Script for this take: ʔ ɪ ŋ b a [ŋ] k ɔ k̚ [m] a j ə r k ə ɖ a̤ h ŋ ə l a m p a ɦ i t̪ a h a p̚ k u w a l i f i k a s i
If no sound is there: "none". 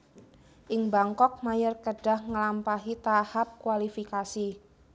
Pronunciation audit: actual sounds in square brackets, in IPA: ŋ, m

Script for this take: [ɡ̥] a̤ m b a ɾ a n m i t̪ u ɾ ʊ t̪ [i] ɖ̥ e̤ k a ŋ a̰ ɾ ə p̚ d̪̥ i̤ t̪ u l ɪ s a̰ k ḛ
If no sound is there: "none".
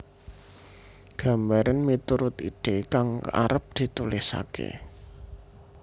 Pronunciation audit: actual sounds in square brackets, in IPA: ɡ̥, i

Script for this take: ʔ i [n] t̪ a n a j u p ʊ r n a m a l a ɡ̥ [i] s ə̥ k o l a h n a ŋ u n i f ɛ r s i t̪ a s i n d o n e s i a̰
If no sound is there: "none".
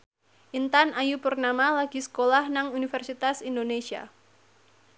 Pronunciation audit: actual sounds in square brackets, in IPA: n, i

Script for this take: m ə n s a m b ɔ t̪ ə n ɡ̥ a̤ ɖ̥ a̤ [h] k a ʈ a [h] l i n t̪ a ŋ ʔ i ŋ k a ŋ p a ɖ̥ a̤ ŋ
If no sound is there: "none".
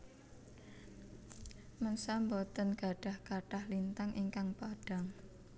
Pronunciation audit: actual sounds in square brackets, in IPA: h, h

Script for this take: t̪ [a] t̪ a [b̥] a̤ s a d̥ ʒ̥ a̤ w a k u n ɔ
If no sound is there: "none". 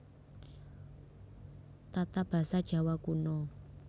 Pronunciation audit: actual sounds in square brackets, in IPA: a, b̥

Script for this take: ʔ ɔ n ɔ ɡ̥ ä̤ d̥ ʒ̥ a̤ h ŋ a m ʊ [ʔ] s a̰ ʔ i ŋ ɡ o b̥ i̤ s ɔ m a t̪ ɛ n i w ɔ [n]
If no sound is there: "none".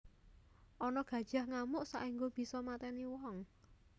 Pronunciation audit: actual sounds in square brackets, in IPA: ʔ, ŋ

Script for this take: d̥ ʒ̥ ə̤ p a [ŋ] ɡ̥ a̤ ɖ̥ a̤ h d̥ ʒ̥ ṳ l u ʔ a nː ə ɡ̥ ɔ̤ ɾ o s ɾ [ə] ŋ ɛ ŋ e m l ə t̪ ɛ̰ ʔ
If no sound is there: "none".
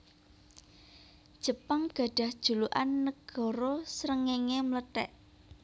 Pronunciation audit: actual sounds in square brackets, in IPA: ŋ, ə

